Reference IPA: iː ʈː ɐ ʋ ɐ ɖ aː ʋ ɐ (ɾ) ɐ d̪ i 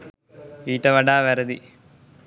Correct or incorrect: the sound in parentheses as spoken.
correct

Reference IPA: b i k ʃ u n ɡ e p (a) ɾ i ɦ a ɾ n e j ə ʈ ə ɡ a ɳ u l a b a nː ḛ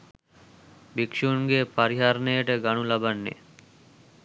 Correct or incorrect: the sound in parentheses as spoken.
correct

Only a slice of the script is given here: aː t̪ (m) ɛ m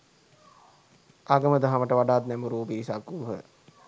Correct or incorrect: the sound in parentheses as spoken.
incorrect: n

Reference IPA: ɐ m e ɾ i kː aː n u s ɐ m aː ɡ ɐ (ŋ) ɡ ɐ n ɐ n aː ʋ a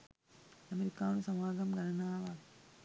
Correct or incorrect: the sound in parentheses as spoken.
incorrect: m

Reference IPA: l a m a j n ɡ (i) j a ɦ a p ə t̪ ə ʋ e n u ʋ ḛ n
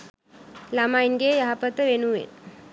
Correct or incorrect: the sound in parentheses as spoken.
incorrect: e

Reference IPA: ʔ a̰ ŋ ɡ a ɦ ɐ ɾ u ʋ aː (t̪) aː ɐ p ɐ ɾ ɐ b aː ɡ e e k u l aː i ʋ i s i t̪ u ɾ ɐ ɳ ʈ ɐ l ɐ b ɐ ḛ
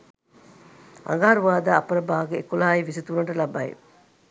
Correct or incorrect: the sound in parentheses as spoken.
incorrect: d̪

